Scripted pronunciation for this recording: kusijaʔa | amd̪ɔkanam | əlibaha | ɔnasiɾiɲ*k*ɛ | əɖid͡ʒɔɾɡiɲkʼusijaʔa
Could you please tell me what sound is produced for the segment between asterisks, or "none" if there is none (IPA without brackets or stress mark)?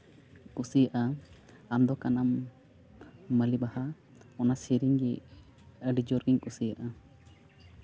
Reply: ɡ